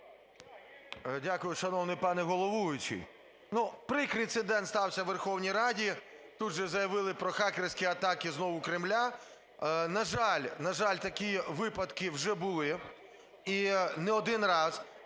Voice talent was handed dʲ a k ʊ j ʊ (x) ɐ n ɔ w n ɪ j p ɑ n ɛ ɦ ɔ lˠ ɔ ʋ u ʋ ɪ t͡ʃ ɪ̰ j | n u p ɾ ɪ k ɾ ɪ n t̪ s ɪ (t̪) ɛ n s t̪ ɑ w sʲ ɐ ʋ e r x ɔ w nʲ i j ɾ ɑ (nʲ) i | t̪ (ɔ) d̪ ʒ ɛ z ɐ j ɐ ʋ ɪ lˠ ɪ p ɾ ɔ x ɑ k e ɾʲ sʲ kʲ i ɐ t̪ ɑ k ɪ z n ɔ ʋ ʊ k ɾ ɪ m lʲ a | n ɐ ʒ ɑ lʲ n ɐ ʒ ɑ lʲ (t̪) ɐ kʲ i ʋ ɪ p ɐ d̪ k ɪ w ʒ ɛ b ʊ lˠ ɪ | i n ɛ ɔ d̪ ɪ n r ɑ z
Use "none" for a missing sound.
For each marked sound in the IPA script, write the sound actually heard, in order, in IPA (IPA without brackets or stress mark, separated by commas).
ʃ, d̪, dʲ, u, t̪